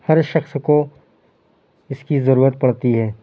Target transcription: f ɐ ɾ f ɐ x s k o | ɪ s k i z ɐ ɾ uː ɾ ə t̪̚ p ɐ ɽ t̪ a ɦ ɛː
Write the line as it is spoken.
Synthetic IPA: h ɐ ɾ ʃ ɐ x s k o | ɪ s k i z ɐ ɾ uː ɾ ə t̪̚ p ɐ ɽ t̪ i ɦ ɛː